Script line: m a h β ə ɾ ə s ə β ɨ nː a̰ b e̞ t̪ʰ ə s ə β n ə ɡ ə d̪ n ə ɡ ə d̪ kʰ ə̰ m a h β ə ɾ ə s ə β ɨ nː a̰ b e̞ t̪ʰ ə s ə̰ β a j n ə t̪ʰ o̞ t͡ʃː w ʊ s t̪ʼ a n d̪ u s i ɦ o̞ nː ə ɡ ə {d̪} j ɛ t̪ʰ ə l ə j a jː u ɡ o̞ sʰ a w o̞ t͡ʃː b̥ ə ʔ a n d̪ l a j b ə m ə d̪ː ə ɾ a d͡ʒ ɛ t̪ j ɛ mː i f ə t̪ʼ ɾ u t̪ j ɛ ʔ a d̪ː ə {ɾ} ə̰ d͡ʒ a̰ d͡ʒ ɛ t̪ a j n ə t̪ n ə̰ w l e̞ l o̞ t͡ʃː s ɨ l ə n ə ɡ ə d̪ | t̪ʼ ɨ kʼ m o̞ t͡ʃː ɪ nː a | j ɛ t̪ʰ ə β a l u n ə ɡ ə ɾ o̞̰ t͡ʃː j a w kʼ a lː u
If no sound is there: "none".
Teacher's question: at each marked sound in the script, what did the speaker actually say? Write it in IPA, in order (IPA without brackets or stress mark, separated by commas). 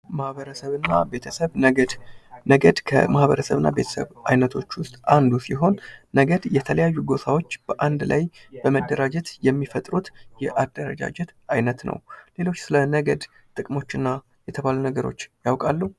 d̪, ɾ